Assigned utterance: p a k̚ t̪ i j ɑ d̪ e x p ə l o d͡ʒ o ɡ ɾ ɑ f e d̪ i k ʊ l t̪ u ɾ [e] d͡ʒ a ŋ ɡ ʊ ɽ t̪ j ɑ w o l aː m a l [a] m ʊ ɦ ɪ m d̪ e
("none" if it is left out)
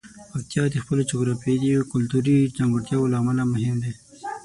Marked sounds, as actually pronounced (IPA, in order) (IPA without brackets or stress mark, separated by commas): i, a